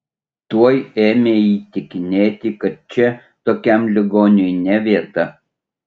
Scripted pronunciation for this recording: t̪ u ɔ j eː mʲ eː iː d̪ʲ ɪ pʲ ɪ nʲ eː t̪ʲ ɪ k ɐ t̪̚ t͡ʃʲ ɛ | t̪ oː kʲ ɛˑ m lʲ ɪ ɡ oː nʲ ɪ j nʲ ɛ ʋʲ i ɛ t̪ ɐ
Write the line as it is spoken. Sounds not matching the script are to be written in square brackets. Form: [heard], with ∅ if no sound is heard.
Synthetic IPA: t̪ u ɔ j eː mʲ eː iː [t̪ʲ] ɪ [kʲ] ɪ nʲ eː t̪ʲ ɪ k ɐ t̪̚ t͡ʃʲ ɛ | t̪ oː kʲ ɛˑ m lʲ ɪ ɡ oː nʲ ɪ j nʲ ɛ ʋʲ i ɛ t̪ ɐ